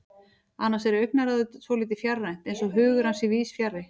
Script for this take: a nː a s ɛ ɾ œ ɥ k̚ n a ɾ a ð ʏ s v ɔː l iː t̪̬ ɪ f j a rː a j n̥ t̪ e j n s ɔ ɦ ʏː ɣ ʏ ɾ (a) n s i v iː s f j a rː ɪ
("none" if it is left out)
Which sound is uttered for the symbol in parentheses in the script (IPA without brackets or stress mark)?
a